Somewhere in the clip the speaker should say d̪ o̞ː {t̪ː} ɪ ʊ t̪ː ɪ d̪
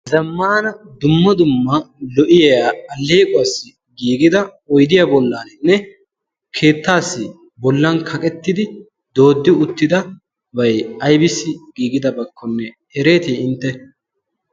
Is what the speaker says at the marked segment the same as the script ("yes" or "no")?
no